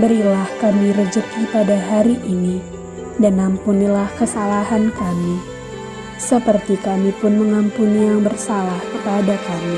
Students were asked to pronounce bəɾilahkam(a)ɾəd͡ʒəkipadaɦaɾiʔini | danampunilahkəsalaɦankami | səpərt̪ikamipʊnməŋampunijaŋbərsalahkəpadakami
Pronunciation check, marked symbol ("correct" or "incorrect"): incorrect